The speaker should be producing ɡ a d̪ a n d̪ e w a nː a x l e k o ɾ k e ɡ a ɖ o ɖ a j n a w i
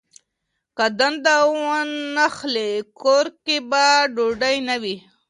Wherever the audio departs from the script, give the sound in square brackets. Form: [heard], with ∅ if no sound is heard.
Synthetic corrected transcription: [k] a d̪ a n d̪ [a] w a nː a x l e k o ɾ k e [b] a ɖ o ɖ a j n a w i